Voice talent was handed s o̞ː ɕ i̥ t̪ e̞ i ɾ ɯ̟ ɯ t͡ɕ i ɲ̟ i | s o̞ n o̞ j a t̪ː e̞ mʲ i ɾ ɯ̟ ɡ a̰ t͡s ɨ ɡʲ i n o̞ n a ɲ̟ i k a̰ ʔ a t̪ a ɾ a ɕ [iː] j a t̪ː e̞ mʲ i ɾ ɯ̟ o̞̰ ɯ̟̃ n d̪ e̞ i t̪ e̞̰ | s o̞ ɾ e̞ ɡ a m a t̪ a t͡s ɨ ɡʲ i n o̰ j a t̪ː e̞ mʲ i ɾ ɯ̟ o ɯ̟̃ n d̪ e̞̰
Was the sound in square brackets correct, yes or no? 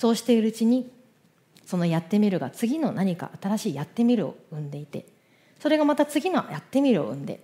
yes